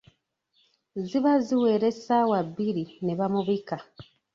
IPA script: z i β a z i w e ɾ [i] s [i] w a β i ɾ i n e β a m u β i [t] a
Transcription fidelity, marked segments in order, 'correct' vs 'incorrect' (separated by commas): incorrect, incorrect, incorrect